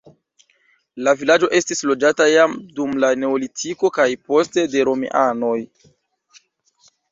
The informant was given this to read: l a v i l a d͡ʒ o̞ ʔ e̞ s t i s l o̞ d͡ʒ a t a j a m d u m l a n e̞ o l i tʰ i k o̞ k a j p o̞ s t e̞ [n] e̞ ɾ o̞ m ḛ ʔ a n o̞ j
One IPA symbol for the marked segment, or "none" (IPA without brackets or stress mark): d